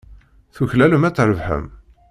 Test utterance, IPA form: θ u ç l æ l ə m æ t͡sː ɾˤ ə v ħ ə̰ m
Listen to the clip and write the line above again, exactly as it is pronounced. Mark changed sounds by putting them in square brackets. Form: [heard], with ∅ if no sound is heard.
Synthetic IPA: θ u ç l æ l ə m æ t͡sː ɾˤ ə v ħ ə̰ m